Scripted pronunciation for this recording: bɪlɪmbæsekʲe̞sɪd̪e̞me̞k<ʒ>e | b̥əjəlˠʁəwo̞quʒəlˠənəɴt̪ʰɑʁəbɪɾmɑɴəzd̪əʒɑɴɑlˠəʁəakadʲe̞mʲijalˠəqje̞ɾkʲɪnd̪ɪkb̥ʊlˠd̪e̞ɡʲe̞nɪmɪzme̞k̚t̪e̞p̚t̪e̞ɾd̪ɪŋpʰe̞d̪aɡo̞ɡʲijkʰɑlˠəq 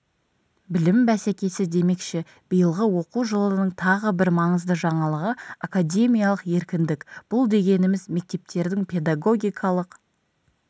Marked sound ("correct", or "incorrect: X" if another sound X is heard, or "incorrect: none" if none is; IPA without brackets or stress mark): incorrect: ʃ